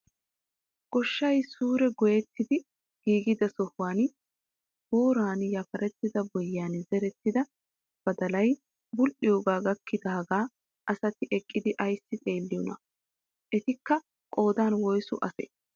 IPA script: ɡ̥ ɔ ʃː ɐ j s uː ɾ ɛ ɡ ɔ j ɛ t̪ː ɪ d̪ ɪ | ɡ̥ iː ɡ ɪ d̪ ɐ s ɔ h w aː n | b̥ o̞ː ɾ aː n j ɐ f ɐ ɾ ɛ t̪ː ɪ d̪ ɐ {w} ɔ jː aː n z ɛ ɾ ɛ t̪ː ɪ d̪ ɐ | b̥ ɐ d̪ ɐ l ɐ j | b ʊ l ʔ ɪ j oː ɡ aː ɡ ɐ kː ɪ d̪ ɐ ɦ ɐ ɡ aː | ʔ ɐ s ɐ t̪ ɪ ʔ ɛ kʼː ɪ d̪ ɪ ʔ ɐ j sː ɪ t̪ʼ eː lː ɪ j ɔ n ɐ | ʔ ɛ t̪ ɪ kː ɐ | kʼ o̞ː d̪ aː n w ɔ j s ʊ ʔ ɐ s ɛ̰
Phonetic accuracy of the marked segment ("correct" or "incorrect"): incorrect